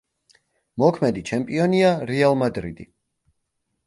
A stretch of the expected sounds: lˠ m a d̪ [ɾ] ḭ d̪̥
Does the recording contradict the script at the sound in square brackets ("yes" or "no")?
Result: no